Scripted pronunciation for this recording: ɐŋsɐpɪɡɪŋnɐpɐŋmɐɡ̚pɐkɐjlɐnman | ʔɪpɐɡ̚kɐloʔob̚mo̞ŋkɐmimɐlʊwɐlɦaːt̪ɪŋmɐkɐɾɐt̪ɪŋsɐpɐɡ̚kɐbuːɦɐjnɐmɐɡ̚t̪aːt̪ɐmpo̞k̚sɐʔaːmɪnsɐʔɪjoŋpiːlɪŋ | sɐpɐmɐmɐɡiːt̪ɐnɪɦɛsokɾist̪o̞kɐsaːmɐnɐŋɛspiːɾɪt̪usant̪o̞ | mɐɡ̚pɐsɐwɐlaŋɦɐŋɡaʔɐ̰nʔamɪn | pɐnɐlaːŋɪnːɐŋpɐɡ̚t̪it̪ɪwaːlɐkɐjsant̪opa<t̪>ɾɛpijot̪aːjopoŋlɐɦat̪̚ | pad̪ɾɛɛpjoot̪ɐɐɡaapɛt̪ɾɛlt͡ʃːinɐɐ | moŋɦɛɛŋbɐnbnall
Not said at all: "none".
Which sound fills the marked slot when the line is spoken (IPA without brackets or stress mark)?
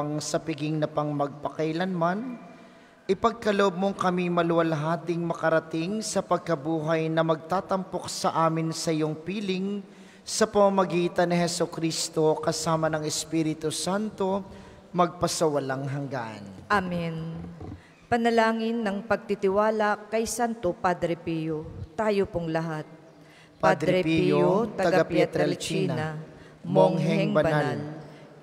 d̪